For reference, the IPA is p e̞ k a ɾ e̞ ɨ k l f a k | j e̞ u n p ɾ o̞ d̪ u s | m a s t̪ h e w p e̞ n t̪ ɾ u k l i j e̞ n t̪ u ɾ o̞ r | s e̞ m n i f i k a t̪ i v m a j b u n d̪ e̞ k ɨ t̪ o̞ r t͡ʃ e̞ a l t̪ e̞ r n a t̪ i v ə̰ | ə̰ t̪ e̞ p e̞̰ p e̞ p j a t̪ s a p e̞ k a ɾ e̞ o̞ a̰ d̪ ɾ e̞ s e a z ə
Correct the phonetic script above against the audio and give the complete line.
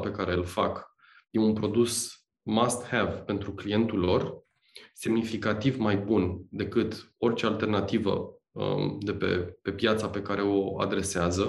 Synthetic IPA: p e̞ k a ɾ e̞ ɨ l f a k | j e̞ u n p ɾ o̞ d̪ u s | m a s t̪ h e v p e̞ n t̪ ɾ u k l i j e̞ n t̪ u l o̞ r | s e̞ m n i f i k a t̪ i v m a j b u n d̪ e̞ k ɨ t̪ o̞ r t͡ʃ e̞ a l t̪ e̞ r n a t̪ i v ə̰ | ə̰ d̪ e̞ p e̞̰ p e̞ p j a t̪ s a p e̞ k a ɾ e̞ o̞ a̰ d̪ ɾ e̞ s e a z ə